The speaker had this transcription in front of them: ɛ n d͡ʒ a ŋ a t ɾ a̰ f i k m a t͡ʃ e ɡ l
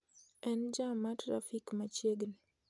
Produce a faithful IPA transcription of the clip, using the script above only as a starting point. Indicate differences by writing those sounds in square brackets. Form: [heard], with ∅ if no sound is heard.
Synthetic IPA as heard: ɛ n d͡ʒ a [m] a t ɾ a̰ f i k m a t͡ʃ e ɡ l